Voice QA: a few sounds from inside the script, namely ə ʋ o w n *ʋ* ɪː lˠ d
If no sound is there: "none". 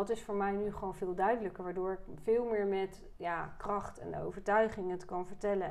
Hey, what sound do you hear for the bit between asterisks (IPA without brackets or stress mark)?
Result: v